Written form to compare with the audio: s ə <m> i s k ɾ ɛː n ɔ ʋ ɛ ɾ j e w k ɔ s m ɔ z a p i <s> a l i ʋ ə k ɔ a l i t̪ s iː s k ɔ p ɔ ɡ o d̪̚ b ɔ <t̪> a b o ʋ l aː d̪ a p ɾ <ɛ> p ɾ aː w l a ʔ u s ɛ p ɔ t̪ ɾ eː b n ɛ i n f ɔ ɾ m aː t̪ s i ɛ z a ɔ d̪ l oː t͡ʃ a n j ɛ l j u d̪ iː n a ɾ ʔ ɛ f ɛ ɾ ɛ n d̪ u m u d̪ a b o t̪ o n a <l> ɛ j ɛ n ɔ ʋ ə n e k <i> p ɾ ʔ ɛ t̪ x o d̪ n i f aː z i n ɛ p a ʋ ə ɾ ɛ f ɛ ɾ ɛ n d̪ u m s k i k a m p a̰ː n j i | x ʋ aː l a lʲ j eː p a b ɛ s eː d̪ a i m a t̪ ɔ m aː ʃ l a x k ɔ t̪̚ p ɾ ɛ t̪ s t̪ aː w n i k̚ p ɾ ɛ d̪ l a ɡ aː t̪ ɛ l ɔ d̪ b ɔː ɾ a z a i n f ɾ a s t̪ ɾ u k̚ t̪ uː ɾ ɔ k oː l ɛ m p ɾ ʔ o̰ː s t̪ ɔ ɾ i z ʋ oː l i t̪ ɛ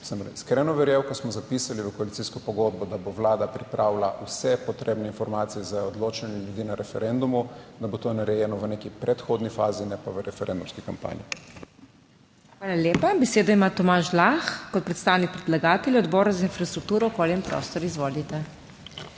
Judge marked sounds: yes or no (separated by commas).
yes, yes, no, no, no, yes